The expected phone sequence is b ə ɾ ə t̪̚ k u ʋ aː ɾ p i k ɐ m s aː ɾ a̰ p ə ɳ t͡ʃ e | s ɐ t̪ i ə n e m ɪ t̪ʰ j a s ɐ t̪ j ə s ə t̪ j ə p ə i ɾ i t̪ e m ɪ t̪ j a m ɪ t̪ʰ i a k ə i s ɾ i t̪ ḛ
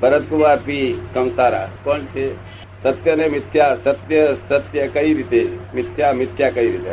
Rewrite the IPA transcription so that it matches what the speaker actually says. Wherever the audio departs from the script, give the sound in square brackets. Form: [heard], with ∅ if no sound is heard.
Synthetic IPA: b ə ɾ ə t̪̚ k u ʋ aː ɾ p i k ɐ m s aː ɾ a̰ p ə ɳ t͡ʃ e | s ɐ t̪ [j] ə n e m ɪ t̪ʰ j a s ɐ t̪ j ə s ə t̪ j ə [k] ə i ɾ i t̪ e m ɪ t̪ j a m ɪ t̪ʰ [j] a k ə i [∅] ɾ i t̪ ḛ